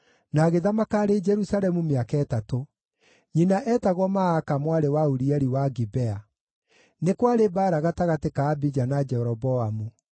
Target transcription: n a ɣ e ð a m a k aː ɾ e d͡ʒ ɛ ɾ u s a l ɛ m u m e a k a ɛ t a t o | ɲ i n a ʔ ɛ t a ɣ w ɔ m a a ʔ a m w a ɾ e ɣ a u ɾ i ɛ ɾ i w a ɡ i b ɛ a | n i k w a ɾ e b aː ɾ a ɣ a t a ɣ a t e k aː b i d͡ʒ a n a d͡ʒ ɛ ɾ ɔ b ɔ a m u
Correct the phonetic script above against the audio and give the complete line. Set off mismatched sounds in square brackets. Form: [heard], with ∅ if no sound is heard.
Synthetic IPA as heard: n a ɣ e ð a m a k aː ɾ e d͡ʒ ɛ ɾ u s a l ɛ m u m e a k a ɛ t a t o | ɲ i n a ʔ ɛ t a ɣ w ɔ m a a [k] a m w a ɾ e [w] a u ɾ i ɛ ɾ i w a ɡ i b ɛ a | n [e] k w a ɾ e b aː ɾ a ɣ a t a ɣ a t e k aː b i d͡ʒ a n a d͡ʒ ɛ ɾ ɔ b ɔ a m u